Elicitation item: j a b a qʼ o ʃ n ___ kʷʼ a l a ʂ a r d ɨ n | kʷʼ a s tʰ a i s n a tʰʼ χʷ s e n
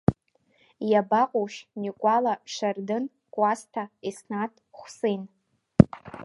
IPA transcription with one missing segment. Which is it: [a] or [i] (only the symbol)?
i